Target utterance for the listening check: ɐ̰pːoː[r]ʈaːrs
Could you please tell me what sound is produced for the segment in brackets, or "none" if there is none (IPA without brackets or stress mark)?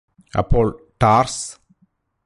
ɭ